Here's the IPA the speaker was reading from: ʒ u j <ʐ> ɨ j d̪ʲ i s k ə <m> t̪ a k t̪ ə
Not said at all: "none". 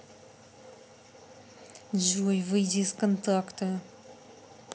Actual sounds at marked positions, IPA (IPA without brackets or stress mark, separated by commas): v, n